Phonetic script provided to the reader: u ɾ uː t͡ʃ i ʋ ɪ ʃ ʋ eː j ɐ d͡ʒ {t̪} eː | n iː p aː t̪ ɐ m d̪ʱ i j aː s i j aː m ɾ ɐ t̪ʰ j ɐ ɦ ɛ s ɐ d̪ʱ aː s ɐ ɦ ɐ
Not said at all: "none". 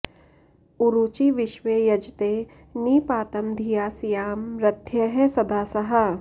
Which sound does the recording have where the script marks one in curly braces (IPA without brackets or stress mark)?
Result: t̪